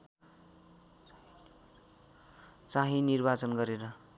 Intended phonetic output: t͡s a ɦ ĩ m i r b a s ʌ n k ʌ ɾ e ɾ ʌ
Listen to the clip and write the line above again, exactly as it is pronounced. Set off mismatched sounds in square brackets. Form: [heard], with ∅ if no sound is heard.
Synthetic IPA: t͡s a ɦ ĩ [n] i r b a [t͡s] ʌ n [ɡ] ʌ ɾ e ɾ ʌ